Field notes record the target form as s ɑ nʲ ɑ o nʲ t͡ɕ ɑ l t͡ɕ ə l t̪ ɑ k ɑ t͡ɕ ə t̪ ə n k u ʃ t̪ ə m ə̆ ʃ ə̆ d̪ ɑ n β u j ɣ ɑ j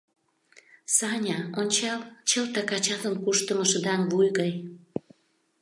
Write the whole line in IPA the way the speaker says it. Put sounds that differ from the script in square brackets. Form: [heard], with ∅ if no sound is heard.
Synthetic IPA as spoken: s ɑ nʲ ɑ o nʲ t͡ɕ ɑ l t͡ɕ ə l t̪ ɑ k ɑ t͡ɕ [ɑ] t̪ ə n k u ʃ t̪ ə m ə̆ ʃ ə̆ d̪ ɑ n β u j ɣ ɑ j